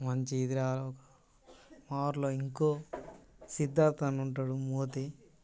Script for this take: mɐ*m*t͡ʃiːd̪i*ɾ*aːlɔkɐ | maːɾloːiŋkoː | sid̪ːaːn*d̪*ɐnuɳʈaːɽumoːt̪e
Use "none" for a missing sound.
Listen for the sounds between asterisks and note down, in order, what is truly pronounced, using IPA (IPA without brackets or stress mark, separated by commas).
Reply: ɲ, ɾ, t̪